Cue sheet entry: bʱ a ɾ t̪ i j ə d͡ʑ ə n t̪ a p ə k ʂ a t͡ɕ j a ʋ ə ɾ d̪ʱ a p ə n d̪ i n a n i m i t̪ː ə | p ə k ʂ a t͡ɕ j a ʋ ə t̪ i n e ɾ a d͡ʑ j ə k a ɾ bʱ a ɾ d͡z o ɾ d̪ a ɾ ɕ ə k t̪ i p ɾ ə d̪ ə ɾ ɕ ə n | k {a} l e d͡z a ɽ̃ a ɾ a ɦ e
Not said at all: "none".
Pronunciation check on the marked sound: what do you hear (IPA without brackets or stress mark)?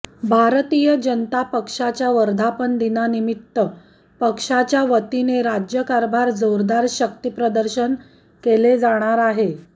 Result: e